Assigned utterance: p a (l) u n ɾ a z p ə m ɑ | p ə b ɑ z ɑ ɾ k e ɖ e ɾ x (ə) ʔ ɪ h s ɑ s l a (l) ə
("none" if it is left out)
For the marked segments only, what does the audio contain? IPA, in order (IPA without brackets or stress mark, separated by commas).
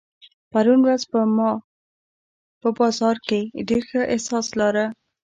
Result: ɾ, ə, ɾ